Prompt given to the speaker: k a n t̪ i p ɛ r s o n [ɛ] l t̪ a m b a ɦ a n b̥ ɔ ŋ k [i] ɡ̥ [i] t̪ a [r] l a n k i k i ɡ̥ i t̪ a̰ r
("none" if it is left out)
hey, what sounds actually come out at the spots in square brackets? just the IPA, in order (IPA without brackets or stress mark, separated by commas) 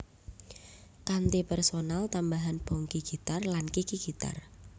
a, i, i, r